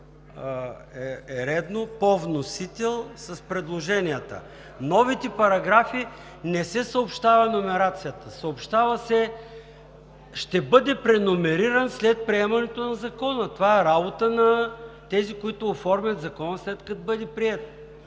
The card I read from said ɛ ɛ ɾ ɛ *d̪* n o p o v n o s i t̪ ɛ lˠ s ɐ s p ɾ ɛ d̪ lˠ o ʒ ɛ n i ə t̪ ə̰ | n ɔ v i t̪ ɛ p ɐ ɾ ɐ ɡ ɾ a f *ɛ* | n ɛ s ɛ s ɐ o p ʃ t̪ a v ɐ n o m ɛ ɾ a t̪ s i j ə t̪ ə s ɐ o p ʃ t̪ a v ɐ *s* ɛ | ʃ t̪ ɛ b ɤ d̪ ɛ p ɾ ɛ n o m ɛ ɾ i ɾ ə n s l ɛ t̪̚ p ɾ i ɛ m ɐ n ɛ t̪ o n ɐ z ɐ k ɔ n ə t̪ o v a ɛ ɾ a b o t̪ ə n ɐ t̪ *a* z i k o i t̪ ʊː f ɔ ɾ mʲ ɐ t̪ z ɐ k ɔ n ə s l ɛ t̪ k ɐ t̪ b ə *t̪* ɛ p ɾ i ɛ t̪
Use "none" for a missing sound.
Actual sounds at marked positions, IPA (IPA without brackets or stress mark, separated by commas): d̪, i, s, ɛ, d̪